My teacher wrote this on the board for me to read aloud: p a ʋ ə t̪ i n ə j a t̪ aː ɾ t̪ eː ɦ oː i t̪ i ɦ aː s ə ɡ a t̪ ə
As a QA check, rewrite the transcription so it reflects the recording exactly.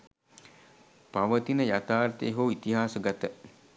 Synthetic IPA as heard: p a ʋ ə t̪ i n ə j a t̪ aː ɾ t̪ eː ɦ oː i t̪ i ɦ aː s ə ɡ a t̪ ə